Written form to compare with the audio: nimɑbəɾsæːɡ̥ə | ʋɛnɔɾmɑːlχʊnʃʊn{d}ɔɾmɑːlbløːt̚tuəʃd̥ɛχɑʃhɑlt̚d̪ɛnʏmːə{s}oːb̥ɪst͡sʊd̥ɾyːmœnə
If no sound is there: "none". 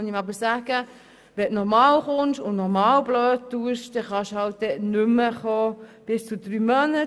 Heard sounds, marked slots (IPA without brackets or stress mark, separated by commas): n, χ